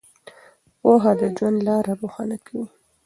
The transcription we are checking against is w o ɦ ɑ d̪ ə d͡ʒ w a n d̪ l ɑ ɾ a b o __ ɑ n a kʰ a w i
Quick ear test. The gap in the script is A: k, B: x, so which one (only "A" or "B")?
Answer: B